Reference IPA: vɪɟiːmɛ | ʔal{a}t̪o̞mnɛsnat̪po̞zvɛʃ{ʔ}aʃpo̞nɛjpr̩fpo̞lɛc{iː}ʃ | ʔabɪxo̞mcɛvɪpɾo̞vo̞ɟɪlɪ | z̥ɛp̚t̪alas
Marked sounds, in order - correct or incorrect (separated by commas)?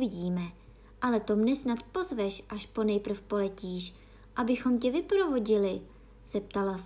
incorrect, correct, correct